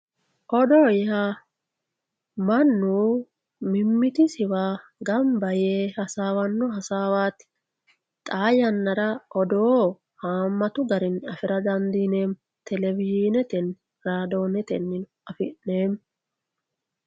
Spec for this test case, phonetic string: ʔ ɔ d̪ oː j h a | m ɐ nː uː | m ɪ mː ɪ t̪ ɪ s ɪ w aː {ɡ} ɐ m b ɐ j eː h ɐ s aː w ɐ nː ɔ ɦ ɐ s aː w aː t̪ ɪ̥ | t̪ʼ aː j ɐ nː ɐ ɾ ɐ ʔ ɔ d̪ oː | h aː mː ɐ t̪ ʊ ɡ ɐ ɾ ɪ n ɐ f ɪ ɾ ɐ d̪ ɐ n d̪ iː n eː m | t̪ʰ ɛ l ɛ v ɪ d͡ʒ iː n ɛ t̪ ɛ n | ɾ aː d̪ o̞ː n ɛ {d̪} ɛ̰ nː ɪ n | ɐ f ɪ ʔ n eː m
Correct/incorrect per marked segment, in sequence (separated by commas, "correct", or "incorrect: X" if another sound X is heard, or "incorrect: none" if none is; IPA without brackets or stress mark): correct, incorrect: t̪